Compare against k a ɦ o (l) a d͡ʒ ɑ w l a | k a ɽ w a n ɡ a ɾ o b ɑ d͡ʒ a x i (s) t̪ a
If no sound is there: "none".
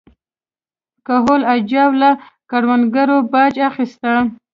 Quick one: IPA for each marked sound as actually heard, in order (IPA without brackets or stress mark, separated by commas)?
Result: l, s